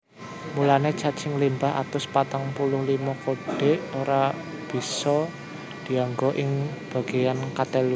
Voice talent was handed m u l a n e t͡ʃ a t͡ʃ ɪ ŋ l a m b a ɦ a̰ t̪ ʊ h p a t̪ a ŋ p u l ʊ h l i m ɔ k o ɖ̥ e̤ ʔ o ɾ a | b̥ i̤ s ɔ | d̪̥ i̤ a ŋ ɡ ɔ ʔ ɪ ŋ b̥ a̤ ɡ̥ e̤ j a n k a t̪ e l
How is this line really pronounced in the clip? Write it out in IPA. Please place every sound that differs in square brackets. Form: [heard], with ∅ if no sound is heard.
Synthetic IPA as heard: m u l a n e t͡ʃ a t͡ʃ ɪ ŋ l [i] m b a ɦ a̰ t̪ ʊ [s] p a t̪ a ŋ p u l ʊ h l i m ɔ k o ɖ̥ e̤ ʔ o ɾ a | b̥ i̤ s ɔ | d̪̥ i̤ a ŋ ɡ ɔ ʔ ɪ ŋ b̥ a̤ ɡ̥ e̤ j a n k a t̪ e l